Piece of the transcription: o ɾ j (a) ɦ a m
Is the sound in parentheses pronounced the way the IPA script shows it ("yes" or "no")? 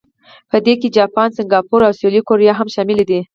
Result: no